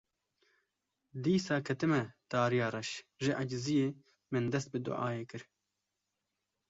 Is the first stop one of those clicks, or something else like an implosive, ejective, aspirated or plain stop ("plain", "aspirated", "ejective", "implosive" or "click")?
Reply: plain